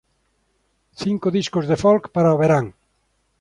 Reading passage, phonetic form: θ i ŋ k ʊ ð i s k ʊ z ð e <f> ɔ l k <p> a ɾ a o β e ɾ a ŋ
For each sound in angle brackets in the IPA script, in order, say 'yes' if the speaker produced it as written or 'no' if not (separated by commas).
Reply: yes, yes